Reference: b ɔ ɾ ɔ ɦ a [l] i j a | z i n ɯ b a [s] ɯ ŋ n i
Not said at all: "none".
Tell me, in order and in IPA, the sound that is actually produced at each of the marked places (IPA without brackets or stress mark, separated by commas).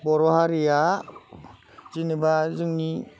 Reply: ɾ, z